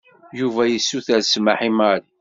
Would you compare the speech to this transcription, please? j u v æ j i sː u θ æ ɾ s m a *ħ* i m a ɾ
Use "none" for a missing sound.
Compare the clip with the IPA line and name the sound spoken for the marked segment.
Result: ħ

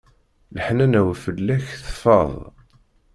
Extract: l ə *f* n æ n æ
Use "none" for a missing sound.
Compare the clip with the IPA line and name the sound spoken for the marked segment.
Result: ħ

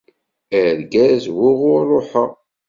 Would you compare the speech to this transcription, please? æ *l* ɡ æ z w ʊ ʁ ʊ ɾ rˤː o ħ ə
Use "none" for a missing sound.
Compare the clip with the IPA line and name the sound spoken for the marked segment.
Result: ɾ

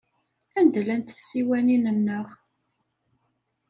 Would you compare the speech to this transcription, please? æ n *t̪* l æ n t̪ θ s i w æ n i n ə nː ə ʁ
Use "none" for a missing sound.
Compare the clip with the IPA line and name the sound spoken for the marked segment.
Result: d̪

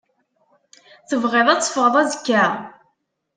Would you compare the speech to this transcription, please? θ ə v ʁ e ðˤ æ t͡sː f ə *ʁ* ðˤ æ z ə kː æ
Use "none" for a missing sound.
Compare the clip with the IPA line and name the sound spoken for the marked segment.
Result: ʁ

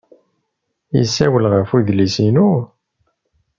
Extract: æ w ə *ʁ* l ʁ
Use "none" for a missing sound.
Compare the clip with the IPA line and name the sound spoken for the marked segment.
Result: none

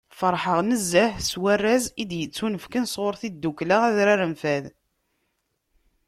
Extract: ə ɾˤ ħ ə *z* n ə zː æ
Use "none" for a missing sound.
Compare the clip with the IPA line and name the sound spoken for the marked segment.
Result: ʁ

